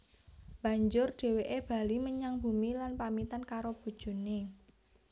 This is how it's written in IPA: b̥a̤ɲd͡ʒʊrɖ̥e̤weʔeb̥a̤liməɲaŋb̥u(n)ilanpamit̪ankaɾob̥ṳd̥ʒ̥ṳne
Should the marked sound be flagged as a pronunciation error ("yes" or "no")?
yes